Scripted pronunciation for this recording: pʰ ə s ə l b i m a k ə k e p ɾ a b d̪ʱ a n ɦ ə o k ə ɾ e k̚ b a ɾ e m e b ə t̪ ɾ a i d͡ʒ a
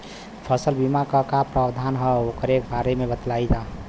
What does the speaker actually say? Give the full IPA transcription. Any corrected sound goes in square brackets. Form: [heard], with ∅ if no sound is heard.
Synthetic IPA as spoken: pʰ ə s ə l b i m a k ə k [a] p ɾ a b d̪ʱ a n ɦ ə o k ə ɾ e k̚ b a ɾ e m e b ə t̪ [l] a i d͡ʒ a